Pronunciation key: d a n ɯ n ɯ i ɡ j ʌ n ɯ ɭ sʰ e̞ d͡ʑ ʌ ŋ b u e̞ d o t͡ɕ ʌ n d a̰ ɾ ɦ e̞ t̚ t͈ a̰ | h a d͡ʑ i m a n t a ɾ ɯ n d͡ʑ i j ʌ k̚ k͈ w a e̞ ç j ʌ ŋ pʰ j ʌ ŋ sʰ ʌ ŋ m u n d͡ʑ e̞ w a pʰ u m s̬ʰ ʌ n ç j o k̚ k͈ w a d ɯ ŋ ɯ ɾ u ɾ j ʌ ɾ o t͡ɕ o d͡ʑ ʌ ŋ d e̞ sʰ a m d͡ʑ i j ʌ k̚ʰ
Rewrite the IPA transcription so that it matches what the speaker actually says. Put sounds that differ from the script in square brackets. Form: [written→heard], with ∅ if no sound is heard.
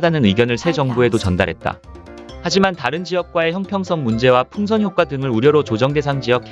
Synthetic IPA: d a n ɯ n ɯ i ɡ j ʌ n ɯ ɭ sʰ e̞ d͡ʑ ʌ ŋ b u e̞ d o t͡ɕ ʌ n d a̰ ɾ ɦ e̞ t̚ t͈ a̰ | h a d͡ʑ i m a n t a ɾ ɯ n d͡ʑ i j ʌ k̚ k͈ w a e̞ ç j ʌ ŋ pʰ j ʌ ŋ sʰ ʌ ŋ m u n d͡ʑ e̞ w a pʰ u [m→ŋ] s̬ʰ ʌ n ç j o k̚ k͈ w a d ɯ ŋ ɯ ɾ u ɾ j ʌ ɾ o t͡ɕ o d͡ʑ ʌ ŋ d e̞ sʰ a [m→ŋ] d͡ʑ i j ʌ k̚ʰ